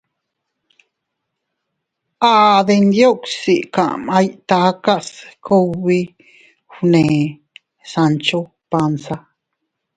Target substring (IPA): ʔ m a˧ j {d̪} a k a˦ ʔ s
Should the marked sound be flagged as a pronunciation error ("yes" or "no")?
yes